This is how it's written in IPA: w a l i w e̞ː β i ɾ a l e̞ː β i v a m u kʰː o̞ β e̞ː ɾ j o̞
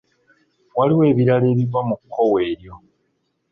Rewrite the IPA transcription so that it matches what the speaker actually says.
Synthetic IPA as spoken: w a l i w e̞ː β i ɾ a l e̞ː β i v a m u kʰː o̞ w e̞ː ɾ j o̞